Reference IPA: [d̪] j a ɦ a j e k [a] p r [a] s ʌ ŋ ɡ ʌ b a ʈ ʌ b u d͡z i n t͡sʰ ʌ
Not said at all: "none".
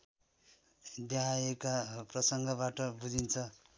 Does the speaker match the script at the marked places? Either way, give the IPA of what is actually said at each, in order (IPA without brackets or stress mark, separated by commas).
d̪, a, ʌ